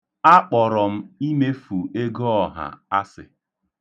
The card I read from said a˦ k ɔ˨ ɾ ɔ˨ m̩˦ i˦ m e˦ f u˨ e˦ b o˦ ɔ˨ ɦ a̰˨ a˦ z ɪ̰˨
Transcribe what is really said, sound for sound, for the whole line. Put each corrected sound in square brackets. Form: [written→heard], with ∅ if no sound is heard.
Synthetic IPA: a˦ [k→k͡p] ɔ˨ ɾ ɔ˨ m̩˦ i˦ m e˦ f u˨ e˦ [b→ɡ] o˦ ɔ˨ ɦ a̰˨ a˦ [z→s] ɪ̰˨